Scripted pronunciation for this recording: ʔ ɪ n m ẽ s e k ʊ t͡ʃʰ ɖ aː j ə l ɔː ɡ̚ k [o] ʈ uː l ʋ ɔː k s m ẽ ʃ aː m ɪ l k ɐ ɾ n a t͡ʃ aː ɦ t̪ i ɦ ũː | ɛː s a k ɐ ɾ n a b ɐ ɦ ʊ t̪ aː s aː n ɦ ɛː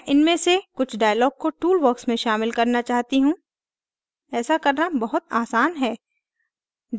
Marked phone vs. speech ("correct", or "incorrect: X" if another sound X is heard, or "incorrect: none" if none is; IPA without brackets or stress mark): correct